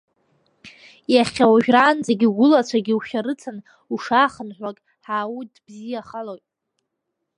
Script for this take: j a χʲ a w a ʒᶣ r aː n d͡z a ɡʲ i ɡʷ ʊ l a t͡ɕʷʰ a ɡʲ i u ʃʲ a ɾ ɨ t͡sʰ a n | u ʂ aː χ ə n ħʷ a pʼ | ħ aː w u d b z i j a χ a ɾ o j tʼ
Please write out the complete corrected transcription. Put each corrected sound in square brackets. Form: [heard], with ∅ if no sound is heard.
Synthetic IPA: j a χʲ a w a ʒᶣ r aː n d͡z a ɡʲ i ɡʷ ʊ l a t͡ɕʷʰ a ɡʲ i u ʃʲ a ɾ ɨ t͡sʰ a n | u ʂ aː χ ə n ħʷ a [kʼ] | ħ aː w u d b z i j a χ a [l] o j tʼ